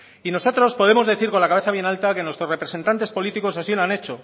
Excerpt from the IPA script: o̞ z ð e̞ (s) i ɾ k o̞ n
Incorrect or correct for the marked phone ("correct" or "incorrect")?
incorrect